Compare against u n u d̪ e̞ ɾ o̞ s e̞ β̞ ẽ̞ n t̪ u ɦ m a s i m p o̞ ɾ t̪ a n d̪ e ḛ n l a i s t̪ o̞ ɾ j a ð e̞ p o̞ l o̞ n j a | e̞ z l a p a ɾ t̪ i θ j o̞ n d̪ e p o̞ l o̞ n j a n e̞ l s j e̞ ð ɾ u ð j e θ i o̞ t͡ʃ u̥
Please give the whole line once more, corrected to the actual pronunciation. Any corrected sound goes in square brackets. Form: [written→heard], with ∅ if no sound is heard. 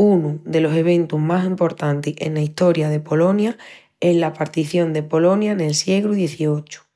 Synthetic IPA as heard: u n u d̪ e̞ [ɾ→l] o̞ s e̞ β̞ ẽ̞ n t̪ u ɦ m a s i m p o̞ ɾ t̪ a n [d̪→t̪] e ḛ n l a i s t̪ o̞ ɾ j a ð e̞ p o̞ l o̞ n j a | e̞ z l a p a ɾ t̪ i θ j o̞ n d̪ e p o̞ l o̞ n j a n e̞ l s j e̞ [ð→ɣ] ɾ u ð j e θ i o̞ t͡ʃ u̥